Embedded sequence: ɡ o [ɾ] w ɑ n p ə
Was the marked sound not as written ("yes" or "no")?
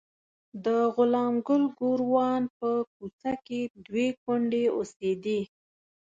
no